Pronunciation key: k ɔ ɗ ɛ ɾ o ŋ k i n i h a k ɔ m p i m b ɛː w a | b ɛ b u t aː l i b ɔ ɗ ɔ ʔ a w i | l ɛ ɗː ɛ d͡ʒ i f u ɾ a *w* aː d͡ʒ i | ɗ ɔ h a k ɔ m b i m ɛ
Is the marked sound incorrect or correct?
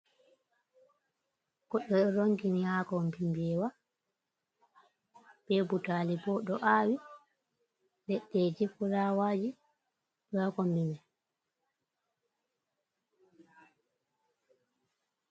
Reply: correct